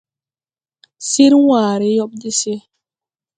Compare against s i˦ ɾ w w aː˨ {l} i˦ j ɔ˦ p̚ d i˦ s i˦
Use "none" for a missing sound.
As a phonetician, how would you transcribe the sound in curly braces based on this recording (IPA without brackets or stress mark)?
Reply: ɾ